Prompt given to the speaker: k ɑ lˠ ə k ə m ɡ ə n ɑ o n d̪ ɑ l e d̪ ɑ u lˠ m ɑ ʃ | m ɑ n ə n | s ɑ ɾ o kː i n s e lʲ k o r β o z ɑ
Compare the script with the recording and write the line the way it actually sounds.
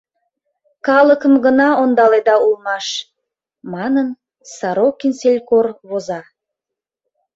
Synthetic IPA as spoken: k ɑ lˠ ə k ə m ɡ ə n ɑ o n d̪ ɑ l e d̪ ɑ u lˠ m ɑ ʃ | m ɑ n ə n | s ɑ ɾ o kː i n s e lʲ k o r β o z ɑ

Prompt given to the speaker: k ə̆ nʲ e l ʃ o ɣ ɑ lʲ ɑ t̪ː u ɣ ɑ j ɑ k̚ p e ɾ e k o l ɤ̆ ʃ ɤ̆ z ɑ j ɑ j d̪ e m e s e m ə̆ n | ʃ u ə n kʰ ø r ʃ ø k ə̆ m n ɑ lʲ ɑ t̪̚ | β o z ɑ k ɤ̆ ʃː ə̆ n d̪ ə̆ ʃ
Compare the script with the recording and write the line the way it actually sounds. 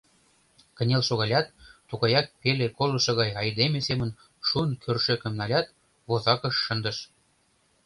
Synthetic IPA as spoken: k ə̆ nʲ e l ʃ o ɣ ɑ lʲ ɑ t̪ː u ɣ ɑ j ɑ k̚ p e l e k o l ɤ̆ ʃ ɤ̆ ɣ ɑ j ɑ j d̪ e m e s e m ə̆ n | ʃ u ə n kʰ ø r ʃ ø k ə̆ m n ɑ lʲ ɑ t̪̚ | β o z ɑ k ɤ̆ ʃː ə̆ n d̪ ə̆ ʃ

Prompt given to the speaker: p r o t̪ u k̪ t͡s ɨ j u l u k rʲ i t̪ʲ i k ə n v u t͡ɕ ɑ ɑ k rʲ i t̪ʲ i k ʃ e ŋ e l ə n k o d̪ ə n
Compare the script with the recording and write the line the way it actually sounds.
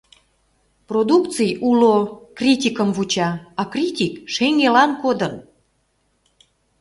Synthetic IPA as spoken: p r o d̪ u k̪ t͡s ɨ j u l o k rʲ i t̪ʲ i k ə m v u t͡ɕ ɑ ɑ k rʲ i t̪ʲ i k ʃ e ŋ e l ɑ n k o d̪ ə n

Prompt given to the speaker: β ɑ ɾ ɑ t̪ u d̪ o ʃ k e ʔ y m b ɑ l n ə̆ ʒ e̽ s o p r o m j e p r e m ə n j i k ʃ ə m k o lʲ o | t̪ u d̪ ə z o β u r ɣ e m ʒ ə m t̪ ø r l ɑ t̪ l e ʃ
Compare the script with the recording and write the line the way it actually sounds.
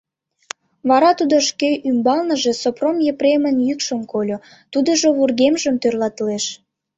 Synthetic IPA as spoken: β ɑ ɾ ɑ t̪ u d̪ o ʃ k e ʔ y m b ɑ l n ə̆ ʒ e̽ s o p r o m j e p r e m ə n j y k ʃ ə m k o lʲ o | t̪ u d̪ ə ʒ o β u r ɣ e m ʒ ə m t̪ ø r l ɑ t̪ l e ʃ

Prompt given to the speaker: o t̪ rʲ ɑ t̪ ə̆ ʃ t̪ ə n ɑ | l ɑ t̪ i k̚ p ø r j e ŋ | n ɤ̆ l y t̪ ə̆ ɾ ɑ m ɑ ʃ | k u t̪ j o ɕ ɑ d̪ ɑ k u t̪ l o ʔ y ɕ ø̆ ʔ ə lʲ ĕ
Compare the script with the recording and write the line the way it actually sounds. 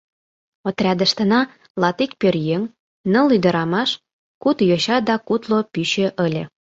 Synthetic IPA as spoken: o t̪ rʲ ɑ d̪ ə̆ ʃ t̪ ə n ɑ | l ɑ t̪ i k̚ p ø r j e ŋ | n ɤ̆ l y d̪ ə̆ ɾ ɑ m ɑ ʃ | k u t̪ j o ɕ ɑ d̪ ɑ k u t̪ l o p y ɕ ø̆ ʔ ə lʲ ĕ

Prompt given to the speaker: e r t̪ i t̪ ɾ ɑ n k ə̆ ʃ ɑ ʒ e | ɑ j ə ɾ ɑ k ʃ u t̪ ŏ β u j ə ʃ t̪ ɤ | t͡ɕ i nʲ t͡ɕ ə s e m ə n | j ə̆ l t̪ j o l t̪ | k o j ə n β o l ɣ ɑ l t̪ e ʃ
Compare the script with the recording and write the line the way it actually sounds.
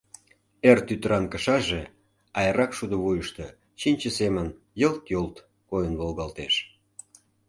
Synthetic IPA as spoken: e r t̪ y t̪ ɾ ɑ n k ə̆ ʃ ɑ ʒ e | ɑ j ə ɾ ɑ k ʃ u d̪ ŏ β u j ə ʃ t̪ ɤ | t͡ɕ i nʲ t͡ɕ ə s e m ə n | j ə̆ l t̪ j o l t̪ | k o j ə n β o l ɣ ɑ l t̪ e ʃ

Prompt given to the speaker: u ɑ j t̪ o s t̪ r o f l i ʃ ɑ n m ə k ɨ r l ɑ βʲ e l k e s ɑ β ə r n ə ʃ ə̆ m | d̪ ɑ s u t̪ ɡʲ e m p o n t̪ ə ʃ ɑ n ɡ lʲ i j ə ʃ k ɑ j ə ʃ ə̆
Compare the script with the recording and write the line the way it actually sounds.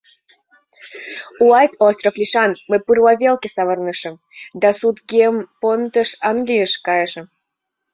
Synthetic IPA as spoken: u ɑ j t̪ o s t̪ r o f l i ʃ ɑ n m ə p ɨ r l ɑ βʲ e l k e s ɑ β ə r n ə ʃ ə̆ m | d̪ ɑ s u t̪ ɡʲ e m p o n t̪ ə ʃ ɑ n ɡ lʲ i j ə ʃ k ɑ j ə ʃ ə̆

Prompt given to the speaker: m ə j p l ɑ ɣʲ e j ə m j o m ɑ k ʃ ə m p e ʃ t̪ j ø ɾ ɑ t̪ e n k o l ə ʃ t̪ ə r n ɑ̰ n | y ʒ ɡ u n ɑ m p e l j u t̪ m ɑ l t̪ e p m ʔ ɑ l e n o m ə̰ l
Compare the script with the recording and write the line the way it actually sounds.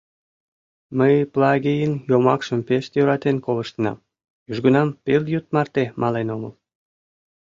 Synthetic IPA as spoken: m ə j p l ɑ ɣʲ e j ə n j o m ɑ k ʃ ə m p e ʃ t̪ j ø ɾ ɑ t̪ e n k o l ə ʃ t̪ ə n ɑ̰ m | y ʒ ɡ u n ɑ m p e l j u t̪ m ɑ r t̪ e m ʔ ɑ l e n o m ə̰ l

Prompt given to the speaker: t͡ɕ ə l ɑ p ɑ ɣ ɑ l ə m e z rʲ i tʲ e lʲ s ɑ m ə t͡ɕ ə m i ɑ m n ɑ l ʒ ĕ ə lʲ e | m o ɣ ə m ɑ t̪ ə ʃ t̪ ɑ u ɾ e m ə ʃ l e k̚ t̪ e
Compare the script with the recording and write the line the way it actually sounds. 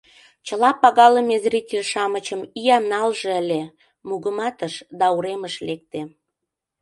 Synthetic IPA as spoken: t͡ɕ ə l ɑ p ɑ ɣ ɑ l ə m e z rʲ i tʲ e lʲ ʃ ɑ m ə t͡ɕ ə m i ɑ m n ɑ l ʒ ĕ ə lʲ e | m u ɣ ə m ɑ t̪ ə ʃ d̪ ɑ u ɾ e m ə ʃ l e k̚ t̪ e

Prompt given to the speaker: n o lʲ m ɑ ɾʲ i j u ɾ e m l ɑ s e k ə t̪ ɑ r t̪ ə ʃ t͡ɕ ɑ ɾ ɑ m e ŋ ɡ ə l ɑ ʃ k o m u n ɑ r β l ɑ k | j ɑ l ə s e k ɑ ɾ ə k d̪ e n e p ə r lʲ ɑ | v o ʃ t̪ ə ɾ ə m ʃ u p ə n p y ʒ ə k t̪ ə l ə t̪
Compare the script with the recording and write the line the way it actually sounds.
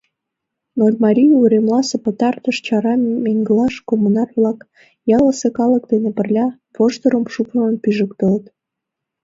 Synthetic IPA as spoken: n o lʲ m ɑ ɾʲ i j u ɾ e m l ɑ s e p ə t̪ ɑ r t̪ ə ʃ t͡ɕ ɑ ɾ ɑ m e ŋ ɡ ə l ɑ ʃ k o m u n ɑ r β l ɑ k | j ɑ l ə s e k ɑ l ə k d̪ e n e p ə r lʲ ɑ | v o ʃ t̪ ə ɾ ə m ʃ u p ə n p y ʒ ə k t̪ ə l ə t̪

